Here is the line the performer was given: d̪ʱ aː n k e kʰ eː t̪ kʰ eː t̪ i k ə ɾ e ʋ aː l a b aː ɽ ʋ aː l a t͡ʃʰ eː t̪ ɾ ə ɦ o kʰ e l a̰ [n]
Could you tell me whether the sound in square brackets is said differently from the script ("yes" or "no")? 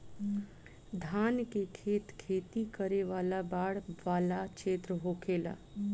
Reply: yes